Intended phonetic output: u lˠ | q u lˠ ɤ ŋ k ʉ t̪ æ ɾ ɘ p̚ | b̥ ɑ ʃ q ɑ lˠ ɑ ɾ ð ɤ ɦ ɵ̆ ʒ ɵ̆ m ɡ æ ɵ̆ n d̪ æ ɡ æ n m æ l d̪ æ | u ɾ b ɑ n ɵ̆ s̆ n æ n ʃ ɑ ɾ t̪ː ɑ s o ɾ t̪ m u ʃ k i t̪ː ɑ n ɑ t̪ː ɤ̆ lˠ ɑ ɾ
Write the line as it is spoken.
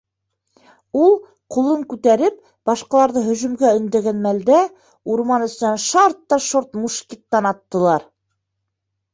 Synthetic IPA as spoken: u lˠ | q u lˠ ɤ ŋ k ʉ t̪ æ ɾ ɘ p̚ | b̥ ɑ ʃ q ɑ lˠ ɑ ɾ ð ɤ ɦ ɵ̆ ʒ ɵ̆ m ɡ æ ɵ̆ n d̪ æ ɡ æ n m æ l d̪ æ | u ɾ m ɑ n ɵ̆ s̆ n æ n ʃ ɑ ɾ t̪ː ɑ ʃ o ɾ t̪ m u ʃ k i t̪ː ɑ n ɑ t̪ː ɤ̆ lˠ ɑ ɾ